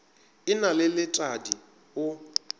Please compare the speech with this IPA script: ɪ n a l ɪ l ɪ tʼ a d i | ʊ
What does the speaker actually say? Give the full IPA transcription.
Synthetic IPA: ɪ n a l ɪ l ɪ tʼ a d i | ʊ